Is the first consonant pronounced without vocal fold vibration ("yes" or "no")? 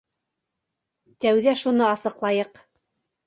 yes